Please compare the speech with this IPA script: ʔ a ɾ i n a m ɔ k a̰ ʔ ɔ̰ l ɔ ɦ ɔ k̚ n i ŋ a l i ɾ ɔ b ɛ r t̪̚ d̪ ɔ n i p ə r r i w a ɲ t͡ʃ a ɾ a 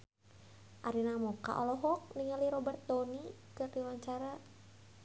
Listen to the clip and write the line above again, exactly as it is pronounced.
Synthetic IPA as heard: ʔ a ɾ i n a m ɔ k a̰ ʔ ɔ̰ l ɔ ɦ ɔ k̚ n i ŋ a l i ɾ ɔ b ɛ r t̪̚ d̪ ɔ n i k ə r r i w a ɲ t͡ʃ a ɾ a